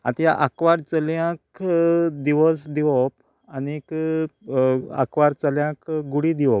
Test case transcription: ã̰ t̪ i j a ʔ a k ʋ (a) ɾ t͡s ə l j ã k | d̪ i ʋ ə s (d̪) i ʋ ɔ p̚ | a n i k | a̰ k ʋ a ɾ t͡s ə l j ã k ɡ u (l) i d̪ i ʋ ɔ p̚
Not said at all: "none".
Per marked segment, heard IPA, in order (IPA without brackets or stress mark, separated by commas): a, d̪, ɽ